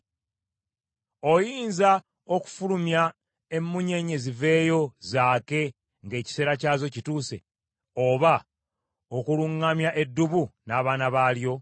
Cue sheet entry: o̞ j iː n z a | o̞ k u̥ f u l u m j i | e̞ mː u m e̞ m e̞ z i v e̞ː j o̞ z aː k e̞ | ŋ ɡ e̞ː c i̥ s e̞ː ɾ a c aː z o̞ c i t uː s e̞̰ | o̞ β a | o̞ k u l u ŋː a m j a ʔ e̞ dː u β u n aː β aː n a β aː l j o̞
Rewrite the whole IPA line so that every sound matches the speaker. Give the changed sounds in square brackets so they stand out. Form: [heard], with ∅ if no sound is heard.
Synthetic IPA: o̞ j iː n z a | o̞ k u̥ f u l u m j [a] | e̞ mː u [ɲ] e̞ [ɲ] e̞ z i v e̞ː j o̞ z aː k e̞ | ŋ ɡ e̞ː c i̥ s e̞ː ɾ a c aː z o̞ c i t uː s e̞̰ | o̞ β a | o̞ k u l u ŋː a m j a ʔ e̞ dː u β u n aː β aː n a β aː l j o̞